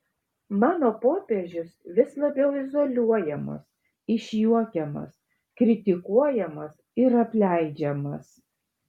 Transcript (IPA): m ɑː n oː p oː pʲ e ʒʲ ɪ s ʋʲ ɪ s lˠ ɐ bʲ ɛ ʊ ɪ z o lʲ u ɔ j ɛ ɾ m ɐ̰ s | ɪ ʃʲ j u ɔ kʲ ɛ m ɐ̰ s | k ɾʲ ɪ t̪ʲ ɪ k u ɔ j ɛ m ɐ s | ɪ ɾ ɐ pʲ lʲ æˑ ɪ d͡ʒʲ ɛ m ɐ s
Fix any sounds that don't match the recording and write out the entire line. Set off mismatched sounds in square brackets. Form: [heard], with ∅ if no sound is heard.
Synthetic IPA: m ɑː n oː p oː pʲ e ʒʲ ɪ s ʋʲ ɪ s lˠ ɐ bʲ ɛ ʊ ɪ z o lʲ u ɔ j ɛ [∅] m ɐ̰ s | ɪ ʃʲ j u ɔ kʲ ɛ m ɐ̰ s | k ɾʲ ɪ t̪ʲ ɪ k u ɔ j ɛ m ɐ s | ɪ ɾ ɐ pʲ lʲ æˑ ɪ d͡ʒʲ ɛ m ɐ s

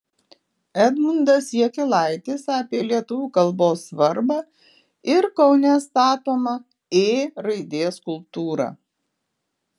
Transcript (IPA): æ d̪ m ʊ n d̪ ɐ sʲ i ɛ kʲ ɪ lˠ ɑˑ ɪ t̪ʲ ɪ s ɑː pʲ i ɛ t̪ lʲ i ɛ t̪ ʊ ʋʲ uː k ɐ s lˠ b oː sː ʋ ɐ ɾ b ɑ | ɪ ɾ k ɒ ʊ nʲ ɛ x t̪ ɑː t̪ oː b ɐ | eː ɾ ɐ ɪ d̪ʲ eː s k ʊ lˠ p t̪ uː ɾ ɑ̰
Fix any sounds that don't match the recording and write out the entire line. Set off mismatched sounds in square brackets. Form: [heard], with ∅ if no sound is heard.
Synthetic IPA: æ d̪ m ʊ n d̪ ɐ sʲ i ɛ kʲ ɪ lˠ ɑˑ ɪ t̪ʲ ɪ s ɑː pʲ i ɛ [∅] lʲ i ɛ t̪ ʊ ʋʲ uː k ɐ [∅] lˠ b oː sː ʋ ɐ ɾ b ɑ | ɪ ɾ k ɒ ʊ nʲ ɛ [s] t̪ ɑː t̪ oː [m] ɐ | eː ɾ ɐ ɪ d̪ʲ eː s k ʊ lˠ p t̪ uː ɾ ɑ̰

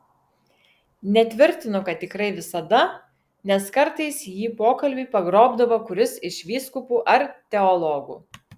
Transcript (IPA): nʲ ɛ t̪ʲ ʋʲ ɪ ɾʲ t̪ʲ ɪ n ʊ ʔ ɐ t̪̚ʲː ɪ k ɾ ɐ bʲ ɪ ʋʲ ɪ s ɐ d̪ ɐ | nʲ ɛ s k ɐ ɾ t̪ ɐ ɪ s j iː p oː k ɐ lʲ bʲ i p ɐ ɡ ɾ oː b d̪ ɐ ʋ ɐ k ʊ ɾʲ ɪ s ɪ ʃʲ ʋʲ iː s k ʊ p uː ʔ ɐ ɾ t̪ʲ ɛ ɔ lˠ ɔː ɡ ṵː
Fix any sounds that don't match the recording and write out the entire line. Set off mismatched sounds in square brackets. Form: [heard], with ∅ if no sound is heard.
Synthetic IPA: nʲ ɛ t̪ʲ ʋʲ ɪ ɾʲ t̪ʲ ɪ n ʊ [k] ɐ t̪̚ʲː ɪ k ɾ ɐ [∅] ɪ ʋʲ ɪ s ɐ d̪ ɐ | nʲ ɛ s k ɐ ɾ t̪ ɐ ɪ s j iː p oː k ɐ lʲ bʲ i p ɐ ɡ ɾ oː b d̪ ɐ ʋ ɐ k ʊ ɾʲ ɪ s ɪ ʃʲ ʋʲ iː s k ʊ p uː ʔ ɐ ɾ t̪ʲ ɛ ɔ lˠ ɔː ɡ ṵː

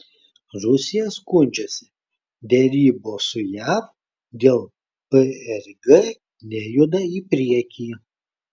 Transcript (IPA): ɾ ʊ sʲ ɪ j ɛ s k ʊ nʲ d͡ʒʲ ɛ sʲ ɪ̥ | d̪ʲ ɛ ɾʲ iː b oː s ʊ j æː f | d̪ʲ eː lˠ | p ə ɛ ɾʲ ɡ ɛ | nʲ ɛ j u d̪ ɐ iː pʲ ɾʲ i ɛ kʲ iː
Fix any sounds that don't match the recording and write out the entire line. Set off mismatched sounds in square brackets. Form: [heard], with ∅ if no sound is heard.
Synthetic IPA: ɾ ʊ sʲ ɪ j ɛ s k ʊ nʲ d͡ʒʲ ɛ sʲ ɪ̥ | d̪ʲ ɛ ɾʲ iː b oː s ʊ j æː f | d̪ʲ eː lˠ | p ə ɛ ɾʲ ɡ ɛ | nʲ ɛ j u d̪ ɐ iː pʲ ɾʲ i ɛ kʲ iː

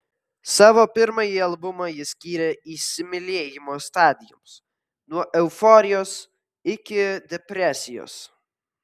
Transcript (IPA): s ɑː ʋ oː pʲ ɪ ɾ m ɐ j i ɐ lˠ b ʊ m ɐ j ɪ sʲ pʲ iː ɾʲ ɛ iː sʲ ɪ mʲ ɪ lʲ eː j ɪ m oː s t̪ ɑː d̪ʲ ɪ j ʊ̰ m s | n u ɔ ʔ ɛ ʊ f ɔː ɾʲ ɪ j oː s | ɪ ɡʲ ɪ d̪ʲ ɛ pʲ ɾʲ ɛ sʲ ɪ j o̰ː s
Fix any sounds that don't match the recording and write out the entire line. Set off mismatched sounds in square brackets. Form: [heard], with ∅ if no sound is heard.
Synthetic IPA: s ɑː ʋ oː pʲ ɪ ɾ m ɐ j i ɐ lˠ b ʊ m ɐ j ɪ sʲ [kʲ] iː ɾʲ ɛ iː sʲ ɪ mʲ ɪ lʲ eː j ɪ m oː s t̪ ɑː d̪ʲ ɪ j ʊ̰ m s | n u ɔ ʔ ɛ ʊ f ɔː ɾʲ ɪ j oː s | ɪ [kʲ] ɪ d̪ʲ ɛ pʲ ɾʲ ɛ sʲ ɪ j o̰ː s

